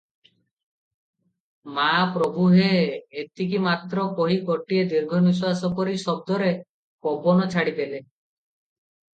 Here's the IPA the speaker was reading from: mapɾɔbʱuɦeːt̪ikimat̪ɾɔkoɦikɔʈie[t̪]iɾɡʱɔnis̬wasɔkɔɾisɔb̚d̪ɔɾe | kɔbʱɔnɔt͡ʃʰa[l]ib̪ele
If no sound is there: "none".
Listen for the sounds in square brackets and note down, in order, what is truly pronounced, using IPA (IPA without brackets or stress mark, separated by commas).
d̪, ɽ